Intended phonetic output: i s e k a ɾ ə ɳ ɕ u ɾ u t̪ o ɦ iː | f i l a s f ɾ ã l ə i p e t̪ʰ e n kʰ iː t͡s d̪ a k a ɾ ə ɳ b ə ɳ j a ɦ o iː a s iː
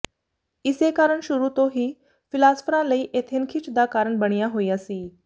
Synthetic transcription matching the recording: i s e k a ɾ ə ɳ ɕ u ɾ u t̪ o ɦ iː | f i l a s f ɾ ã l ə i ʔ e t̪ʰ e n kʰ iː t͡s d̪ a k a ɾ ə ɳ b ə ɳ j a ɦ o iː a s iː